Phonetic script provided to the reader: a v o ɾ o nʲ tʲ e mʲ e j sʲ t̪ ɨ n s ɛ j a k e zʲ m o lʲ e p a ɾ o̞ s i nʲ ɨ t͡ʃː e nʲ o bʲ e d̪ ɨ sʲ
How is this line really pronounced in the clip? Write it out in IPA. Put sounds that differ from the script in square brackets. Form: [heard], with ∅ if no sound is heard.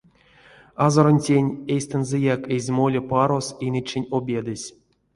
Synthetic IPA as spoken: a [z] o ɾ o nʲ tʲ e [nʲ] e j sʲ t̪ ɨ n [z] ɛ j a k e zʲ m o lʲ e p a ɾ o̞ s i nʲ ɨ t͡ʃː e nʲ o bʲ e d̪ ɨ sʲ

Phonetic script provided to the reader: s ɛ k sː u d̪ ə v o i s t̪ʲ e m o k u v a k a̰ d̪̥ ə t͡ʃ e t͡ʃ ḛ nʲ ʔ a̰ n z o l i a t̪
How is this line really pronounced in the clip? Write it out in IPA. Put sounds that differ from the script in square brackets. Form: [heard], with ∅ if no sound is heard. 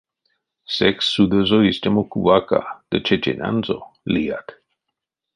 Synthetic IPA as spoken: s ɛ k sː u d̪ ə [z] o i s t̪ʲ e m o k u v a k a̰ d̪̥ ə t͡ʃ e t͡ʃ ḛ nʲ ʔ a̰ n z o l i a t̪

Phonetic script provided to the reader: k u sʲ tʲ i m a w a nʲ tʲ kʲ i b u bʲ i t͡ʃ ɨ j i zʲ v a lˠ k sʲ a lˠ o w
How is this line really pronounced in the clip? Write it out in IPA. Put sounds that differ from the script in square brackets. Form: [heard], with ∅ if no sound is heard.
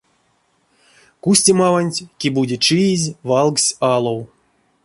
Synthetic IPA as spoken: k u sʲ tʲ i m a [v] a nʲ tʲ kʲ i b u [dʲ] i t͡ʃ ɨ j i zʲ v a lˠ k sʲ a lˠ o w

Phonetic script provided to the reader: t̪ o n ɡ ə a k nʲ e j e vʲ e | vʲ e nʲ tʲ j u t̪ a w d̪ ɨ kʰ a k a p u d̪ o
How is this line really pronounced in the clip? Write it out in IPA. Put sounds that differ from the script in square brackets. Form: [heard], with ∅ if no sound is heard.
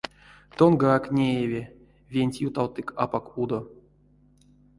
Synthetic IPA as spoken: t̪ o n ɡ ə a k nʲ e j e vʲ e | vʲ e nʲ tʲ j u t̪ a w [t̪] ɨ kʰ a [p] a [k] u d̪ o

